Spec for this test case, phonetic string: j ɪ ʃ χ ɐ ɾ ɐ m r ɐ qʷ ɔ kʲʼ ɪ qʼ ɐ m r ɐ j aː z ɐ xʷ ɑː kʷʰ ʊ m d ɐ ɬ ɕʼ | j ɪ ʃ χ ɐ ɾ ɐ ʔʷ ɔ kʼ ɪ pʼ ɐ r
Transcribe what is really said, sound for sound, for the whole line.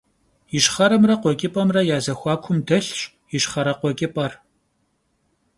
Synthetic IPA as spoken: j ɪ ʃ χ ɐ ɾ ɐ m r ɐ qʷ ɔ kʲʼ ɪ pʼ ɐ m r ɐ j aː z ɐ xʷ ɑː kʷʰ ʊ m d ɐ ɬ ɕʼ | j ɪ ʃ χ ɐ ɾ ɐ qʷ ɔ kʼ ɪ pʼ ɐ r